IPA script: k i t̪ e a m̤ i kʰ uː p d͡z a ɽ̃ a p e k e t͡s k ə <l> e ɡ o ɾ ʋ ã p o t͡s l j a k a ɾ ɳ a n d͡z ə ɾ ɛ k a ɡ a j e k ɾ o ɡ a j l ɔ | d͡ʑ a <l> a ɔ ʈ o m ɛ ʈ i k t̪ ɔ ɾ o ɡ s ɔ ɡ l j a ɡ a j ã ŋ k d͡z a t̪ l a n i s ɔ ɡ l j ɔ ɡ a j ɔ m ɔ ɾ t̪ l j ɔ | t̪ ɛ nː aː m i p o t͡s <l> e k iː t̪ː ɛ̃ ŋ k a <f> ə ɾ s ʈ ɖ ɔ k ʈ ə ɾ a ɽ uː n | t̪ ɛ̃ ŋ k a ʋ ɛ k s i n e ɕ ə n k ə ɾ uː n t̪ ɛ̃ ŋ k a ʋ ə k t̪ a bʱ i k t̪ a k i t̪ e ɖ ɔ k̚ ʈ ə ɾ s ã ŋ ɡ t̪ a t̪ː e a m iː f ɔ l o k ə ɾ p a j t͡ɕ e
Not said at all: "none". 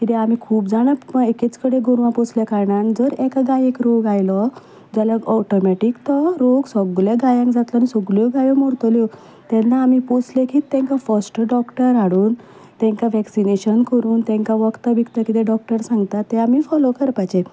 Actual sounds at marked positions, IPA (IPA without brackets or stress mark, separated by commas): ɽ, l, l, f